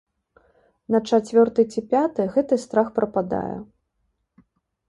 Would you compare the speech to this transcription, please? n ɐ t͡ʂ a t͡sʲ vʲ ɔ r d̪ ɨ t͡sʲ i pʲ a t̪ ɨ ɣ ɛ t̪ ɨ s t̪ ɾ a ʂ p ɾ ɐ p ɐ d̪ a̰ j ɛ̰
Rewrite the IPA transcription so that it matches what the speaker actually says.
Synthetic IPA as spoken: n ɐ t͡ʂ a t͡sʲ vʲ ɔ r t̪ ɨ t͡sʲ i pʲ a t̪ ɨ ɣ ɛ t̪ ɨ s t̪ ɾ a x p ɾ ɐ p a d̪ a̰ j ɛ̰

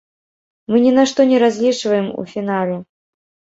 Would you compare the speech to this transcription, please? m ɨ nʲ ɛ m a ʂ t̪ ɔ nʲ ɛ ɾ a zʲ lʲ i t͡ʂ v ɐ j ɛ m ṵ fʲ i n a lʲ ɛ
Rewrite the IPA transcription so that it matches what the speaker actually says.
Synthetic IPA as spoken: m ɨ nʲ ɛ n a ʂ t̪ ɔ nʲ ɛ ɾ a zʲ lʲ i t͡ʂ v ɐ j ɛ m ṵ fʲ i n a lʲ ɛ

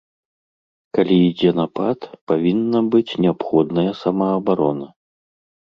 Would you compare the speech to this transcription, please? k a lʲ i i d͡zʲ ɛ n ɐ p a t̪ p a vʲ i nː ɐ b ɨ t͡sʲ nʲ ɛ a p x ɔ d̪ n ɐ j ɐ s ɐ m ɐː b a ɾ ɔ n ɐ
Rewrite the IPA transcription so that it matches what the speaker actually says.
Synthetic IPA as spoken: k a lʲ i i d͡zʲ ɛ n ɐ p a t̪ p a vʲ i nː ɐ b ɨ t͡sʲ nʲ ɛ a p x ɔ d̪ n ɐ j ɐ s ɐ m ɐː b a ɾ ɔ n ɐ

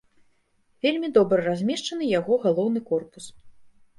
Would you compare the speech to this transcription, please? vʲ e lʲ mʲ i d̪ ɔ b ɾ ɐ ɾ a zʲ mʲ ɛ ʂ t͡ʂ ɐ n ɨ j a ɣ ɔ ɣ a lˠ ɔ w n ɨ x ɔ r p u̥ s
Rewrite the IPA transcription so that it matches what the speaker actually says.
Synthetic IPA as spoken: vʲ e lʲ mʲ i d̪ ɔ b ɾ ɐ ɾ a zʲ mʲ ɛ ʂ t͡ʂ ɐ n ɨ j a ɣ ɔ ɣ a lˠ ɔ w n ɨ k ɔ r p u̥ s

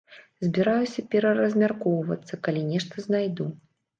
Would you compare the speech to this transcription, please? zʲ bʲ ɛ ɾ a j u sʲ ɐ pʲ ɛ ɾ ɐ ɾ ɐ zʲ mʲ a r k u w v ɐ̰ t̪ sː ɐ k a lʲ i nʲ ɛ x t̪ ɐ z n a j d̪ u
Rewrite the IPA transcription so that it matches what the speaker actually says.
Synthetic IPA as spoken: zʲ bʲ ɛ ɾ a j u sʲ ɐ pʲ ɛ ɾ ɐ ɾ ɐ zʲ mʲ a r k ɔ w v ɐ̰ t̪ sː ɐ k a lʲ i nʲ ɛ ʂ t̪ ɐ z n a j d̪ u

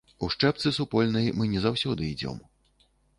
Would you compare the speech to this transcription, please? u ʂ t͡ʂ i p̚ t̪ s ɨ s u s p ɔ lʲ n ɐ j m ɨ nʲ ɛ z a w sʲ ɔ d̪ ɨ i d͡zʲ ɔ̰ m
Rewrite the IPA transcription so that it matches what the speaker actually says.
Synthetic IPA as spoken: u ʂ t͡ʂ ɛ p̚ t̪ s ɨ s u p ɔ lʲ n ɐ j m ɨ nʲ ɛ z a w sʲ ɔ d̪ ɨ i d͡zʲ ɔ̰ m

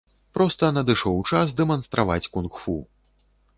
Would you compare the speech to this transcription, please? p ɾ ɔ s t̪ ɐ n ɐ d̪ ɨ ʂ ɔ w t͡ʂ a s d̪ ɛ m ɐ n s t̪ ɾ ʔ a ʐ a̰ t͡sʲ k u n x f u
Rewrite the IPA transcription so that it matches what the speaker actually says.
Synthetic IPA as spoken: p ɾ ɔ s t̪ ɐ n ɐ d̪ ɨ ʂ ɔ w t͡ʂ a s d̪ ɛ m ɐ n s t̪ ɾ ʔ a v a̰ t͡sʲ k u n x f u

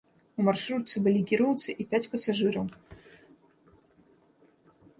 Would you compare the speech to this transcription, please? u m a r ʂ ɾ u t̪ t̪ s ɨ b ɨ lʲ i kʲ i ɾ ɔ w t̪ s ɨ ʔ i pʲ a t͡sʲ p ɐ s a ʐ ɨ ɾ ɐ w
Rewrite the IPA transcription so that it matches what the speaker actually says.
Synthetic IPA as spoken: u m a r ʂ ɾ u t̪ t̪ s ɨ b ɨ lʲ i kʲ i ɾ ɔ w t̪ s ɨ ʔ i pʲ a t͡sʲ p ɐ s a ʐ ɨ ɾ ɐ w

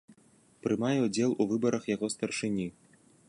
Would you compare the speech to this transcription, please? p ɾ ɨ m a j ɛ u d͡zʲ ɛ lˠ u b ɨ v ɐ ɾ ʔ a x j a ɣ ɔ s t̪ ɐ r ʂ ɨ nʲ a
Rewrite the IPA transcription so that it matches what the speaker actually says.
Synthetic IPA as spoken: p ɾ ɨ m a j ɛ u d͡zʲ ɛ lˠ u v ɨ b ɐ ɾ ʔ ɐ x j a ɣ ɔ s t̪ ɐ r ʂ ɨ nʲ i

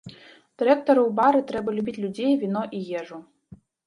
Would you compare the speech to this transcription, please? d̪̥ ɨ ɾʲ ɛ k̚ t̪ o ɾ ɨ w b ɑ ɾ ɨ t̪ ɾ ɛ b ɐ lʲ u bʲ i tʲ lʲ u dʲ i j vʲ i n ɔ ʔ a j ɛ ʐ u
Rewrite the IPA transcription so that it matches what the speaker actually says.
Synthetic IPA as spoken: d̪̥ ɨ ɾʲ ɛ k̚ t̪ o ɾ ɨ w b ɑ ɾ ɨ t̪ ɾ ɛ b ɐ lʲ u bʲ i tʲ lʲ u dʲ e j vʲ i n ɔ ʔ i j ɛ ʐ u

